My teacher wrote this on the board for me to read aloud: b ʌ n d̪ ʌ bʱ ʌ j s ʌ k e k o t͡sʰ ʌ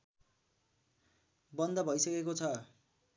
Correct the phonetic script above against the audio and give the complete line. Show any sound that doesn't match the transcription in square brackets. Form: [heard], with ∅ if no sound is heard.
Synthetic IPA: b ʌ n d̪ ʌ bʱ ʌ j s ʌ k e k o t͡sʰ ʌ